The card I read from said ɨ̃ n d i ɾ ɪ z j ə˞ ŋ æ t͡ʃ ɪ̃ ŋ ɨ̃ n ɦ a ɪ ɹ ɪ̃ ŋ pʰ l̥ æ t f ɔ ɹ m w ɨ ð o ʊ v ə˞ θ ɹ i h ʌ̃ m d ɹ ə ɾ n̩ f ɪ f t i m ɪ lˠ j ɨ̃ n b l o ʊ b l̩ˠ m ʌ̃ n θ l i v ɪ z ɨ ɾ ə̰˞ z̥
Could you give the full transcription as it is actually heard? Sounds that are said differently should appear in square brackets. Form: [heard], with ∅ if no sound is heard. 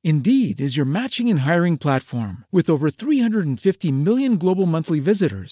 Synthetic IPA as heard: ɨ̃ n d i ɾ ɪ z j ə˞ [m] æ t͡ʃ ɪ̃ ŋ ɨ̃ n ɦ a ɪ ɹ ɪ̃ ŋ pʰ l̥ æ t f ɔ ɹ m w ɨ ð o ʊ v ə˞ θ ɹ i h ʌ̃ [n] d ɹ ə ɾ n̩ f ɪ f t i m ɪ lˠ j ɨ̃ n [ɡ] l o ʊ b l̩ˠ m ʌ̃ n θ l i v ɪ z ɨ ɾ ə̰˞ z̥